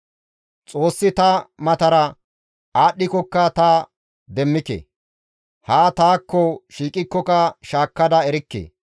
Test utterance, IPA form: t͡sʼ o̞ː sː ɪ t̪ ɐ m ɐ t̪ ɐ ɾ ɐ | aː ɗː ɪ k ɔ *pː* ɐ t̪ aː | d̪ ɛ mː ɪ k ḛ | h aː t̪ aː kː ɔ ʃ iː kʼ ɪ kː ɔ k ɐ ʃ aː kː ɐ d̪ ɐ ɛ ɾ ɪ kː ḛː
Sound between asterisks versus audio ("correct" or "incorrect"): incorrect